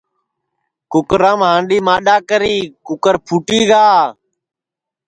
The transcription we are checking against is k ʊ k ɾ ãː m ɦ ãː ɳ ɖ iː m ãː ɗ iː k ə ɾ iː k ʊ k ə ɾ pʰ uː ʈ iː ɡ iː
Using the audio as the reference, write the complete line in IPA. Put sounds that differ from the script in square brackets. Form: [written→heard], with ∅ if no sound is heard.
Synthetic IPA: k ʊ k ɾ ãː m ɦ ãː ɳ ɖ iː m [ãː→aː] ɗ [iː→aː] k ə ɾ iː k ʊ k ə ɾ pʰ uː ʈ iː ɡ [iː→aː]